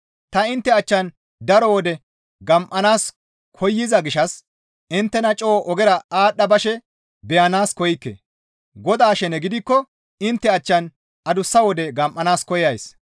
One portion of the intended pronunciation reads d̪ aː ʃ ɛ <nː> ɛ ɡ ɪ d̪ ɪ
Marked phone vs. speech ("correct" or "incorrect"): incorrect